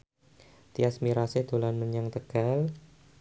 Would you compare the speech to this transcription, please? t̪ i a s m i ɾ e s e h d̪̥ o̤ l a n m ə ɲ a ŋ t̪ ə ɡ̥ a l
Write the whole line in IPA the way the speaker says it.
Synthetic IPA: t̪ i a s m i ɾ a s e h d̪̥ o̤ l a n m ə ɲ a ŋ t̪ ə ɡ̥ a l